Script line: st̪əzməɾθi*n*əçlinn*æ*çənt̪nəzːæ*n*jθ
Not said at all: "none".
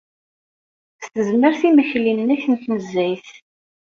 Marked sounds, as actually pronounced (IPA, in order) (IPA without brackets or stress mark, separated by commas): m, æ, none